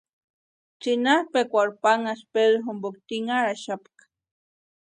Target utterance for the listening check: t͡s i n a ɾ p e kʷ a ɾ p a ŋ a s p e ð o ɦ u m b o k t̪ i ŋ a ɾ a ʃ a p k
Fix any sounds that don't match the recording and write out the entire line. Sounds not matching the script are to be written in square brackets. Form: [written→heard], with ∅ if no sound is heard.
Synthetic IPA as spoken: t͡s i n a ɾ p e kʷ a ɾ p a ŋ a s p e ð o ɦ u m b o k t̪ i ŋ a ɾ a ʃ a p k